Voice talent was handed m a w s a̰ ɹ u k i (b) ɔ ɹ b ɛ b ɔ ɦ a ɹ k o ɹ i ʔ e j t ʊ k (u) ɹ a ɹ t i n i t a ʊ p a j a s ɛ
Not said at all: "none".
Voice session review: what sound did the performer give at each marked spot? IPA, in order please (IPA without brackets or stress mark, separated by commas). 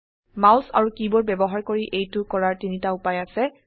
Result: b, ɔ